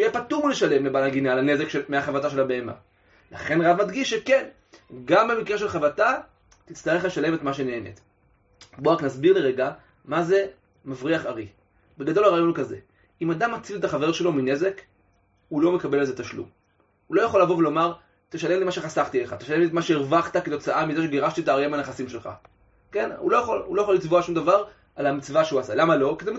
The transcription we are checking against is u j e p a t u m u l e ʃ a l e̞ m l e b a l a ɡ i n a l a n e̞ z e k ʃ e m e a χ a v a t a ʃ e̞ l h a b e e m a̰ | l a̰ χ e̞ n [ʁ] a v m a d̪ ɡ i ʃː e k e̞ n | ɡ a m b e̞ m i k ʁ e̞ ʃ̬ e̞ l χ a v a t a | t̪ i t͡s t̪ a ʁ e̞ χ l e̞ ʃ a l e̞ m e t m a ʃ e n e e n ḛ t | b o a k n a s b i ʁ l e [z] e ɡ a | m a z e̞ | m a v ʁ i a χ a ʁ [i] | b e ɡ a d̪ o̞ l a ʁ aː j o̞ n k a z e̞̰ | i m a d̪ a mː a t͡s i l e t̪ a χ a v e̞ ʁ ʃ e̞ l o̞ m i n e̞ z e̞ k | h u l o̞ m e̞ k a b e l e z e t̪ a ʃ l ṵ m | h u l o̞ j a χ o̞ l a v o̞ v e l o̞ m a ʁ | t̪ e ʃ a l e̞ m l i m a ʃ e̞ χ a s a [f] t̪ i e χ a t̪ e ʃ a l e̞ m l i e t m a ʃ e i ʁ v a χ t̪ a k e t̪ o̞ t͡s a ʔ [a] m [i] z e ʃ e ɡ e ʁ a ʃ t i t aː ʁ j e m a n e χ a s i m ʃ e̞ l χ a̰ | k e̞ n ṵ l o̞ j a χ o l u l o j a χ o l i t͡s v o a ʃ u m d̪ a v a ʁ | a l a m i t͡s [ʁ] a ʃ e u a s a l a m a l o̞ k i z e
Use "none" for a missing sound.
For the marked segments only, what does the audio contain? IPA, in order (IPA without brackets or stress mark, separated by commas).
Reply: ʁ, ʁ, i, χ, a, i, v